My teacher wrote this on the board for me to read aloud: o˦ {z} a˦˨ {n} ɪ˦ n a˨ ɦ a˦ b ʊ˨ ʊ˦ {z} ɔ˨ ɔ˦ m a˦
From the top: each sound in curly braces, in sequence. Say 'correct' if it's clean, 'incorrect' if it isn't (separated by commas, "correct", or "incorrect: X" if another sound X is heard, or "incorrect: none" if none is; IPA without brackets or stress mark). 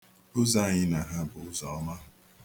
correct, incorrect: ɲ, correct